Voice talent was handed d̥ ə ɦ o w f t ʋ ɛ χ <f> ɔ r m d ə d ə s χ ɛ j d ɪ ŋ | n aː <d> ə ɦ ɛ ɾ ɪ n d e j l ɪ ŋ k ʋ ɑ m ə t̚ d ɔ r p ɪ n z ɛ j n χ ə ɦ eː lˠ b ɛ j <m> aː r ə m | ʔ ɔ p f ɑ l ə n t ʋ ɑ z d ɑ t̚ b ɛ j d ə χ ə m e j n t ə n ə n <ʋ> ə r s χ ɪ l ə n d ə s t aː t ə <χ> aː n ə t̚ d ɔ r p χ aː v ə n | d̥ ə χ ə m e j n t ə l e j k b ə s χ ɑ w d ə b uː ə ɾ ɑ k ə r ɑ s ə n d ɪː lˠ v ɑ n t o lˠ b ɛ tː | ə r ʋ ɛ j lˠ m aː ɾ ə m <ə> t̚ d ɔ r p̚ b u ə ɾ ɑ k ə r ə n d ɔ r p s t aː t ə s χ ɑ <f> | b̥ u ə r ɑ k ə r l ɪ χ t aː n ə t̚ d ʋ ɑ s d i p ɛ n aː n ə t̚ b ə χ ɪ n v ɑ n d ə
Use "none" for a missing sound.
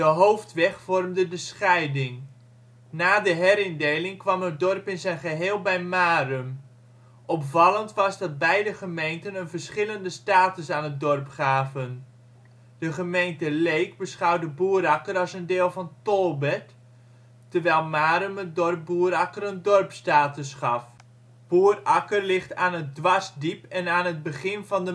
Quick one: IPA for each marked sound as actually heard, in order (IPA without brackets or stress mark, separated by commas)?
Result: f, d, m, v, s, ə, f